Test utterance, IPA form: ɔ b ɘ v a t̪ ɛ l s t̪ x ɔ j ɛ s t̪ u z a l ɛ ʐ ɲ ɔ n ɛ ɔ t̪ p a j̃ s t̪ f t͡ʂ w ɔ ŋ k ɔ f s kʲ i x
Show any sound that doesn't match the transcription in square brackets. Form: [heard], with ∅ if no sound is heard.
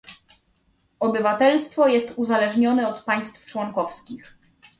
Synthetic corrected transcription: ɔ b ɘ v a t̪ ɛ l s t̪ [f] ɔ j ɛ s t̪ u z a l ɛ ʐ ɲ ɔ n ɛ ɔ t̪ p a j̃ s t̪ f t͡ʂ w ɔ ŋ k ɔ f s kʲ i x